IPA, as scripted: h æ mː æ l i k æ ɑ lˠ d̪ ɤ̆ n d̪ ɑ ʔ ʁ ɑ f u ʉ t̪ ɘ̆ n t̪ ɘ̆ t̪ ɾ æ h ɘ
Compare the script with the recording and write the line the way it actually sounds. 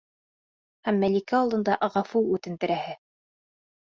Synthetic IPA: h æ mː æ l i k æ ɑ lˠ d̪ ɤ̆ n d̪ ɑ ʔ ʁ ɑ f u ʉ t̪ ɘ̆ n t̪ ɘ̆ ɾ æ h ɘ